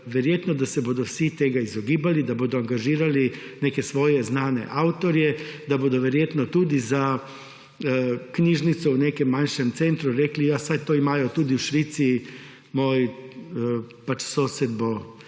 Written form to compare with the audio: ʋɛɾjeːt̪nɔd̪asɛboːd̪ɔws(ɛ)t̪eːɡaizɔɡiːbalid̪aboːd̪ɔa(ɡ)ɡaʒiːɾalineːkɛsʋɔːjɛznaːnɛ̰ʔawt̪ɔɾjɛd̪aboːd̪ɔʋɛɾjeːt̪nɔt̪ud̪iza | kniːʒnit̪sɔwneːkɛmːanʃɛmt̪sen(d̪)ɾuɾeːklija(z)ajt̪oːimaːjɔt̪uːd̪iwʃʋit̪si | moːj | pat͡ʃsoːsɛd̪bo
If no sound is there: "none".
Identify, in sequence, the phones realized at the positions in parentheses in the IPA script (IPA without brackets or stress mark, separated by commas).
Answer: i, ŋ, t̪, s